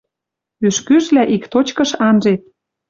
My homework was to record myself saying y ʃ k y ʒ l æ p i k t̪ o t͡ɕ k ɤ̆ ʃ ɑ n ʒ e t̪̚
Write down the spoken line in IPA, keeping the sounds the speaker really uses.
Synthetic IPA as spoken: y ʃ k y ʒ l æ ʔ i k t̪ o t͡ɕ k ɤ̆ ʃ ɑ n ʒ e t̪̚

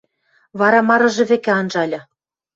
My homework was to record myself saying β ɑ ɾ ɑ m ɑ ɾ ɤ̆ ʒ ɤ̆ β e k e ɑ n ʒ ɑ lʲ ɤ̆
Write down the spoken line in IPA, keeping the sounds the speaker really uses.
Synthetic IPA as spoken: β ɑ ɾ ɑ m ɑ ɾ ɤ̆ ʒ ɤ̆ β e k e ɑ n ʒ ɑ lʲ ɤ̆

